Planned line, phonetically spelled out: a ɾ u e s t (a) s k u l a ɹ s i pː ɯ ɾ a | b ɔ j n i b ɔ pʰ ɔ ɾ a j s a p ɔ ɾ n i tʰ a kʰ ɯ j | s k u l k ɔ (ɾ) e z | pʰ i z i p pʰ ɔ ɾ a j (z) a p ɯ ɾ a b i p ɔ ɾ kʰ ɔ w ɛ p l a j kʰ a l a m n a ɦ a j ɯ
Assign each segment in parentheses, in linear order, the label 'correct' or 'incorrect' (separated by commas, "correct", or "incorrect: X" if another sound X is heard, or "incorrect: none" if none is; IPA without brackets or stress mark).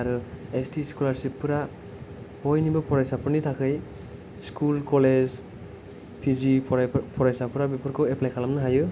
incorrect: i, incorrect: l, incorrect: s